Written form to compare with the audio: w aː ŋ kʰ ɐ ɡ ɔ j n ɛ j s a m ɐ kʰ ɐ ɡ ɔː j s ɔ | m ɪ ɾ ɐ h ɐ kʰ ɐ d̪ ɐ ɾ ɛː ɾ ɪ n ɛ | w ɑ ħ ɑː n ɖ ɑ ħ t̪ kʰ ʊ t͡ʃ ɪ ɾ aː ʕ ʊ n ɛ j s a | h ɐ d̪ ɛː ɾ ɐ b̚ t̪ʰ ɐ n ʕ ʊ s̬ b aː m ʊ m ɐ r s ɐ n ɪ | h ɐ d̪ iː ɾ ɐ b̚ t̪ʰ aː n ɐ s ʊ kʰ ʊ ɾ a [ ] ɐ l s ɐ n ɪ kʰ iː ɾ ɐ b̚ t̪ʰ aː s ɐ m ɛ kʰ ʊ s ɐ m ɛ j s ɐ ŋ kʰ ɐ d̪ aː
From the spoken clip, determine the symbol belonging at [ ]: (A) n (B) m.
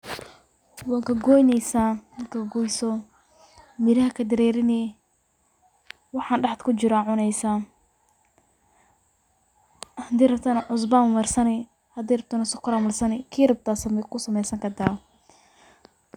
B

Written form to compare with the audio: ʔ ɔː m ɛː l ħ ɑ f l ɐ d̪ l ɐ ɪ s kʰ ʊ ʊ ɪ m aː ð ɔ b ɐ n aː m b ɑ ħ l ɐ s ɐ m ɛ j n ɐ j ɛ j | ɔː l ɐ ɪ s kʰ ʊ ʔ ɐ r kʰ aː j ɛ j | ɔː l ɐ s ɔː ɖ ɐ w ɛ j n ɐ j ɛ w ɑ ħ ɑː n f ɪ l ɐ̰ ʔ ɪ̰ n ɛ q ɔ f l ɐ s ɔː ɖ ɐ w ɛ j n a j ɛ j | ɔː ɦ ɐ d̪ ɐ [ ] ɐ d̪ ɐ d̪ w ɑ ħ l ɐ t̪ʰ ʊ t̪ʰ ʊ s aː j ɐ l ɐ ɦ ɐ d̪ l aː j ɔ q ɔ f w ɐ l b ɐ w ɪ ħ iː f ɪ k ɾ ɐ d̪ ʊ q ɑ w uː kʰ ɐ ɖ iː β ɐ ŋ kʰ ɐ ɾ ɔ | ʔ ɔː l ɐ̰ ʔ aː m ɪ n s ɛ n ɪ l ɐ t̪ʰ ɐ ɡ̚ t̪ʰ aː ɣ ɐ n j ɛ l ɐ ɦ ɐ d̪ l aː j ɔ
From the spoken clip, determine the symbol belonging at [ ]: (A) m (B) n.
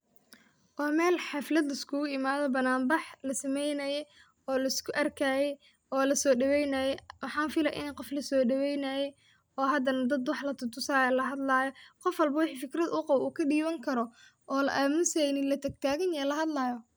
B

